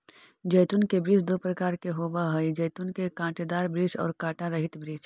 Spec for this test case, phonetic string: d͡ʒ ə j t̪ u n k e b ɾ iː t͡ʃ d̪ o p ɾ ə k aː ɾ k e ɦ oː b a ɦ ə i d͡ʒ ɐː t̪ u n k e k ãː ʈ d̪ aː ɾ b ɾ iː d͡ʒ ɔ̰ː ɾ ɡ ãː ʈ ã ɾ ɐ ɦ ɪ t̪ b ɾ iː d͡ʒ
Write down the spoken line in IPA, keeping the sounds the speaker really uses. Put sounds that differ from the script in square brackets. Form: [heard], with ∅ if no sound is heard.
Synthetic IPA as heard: d͡ʒ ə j t̪ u n k e b ɾ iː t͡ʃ d̪ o p ɾ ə k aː ɾ k e ɦ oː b a ɦ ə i d͡ʒ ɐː t̪ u n k e k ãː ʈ d̪ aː ɾ b ɾ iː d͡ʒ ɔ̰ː ɾ [k] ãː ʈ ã ɾ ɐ ɦ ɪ t̪ b ɾ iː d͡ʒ